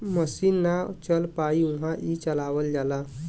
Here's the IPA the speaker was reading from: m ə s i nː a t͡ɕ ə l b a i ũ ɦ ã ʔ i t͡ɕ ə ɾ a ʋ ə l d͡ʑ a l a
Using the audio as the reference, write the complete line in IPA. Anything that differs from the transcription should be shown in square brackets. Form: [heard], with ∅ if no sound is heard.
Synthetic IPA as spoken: m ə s i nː a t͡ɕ ə l [p] a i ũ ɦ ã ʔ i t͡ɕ ə [l] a ʋ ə l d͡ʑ a l a